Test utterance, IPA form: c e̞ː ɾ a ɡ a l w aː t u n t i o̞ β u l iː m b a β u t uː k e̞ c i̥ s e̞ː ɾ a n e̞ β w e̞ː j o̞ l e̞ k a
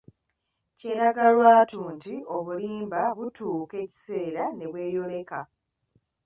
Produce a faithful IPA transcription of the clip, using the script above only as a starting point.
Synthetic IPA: c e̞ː ɾ a ɡ a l w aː t uː n t i o̞ β u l iː m b a β u t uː k e̞ c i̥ s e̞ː ɾ a n e̞ β w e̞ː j o̞ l e̞ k a